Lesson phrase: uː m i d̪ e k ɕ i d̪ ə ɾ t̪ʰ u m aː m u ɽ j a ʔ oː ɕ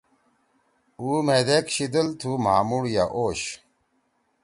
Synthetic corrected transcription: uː m e d̪ e k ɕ i d̪ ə l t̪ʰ u m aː m u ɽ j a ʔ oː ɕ